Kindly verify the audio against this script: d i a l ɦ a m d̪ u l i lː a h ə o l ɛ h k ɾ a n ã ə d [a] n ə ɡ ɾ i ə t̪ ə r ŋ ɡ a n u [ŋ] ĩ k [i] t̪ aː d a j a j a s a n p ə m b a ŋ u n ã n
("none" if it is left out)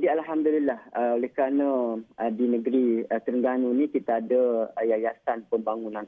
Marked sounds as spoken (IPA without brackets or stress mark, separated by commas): i, n, i